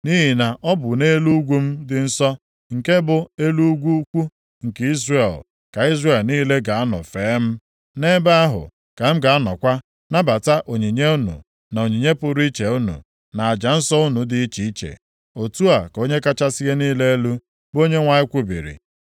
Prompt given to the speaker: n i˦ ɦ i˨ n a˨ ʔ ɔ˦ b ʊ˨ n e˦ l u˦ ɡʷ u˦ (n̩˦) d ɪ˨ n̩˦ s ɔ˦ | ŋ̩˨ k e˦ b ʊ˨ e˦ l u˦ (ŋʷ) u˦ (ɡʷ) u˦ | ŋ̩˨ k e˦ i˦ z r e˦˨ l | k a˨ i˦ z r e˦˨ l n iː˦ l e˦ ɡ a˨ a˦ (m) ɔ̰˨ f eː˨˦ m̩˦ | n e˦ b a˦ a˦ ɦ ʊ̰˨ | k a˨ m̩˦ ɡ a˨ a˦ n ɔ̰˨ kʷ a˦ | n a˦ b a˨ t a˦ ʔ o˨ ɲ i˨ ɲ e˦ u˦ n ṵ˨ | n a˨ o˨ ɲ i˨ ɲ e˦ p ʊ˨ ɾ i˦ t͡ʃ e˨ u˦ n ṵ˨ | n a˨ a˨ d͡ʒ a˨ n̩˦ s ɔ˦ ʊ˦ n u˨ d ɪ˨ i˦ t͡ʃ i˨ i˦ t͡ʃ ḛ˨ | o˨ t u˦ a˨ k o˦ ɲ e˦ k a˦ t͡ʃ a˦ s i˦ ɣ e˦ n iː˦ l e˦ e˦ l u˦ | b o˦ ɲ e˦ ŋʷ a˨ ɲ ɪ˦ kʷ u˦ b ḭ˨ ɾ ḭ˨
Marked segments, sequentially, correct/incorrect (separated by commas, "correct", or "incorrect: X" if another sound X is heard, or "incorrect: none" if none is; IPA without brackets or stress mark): incorrect: m̩˦, incorrect: ɡʷ, incorrect: kʷ, incorrect: n